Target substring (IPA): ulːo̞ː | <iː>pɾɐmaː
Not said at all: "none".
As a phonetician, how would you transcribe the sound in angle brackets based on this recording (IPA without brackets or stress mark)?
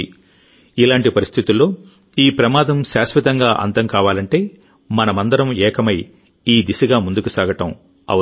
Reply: iː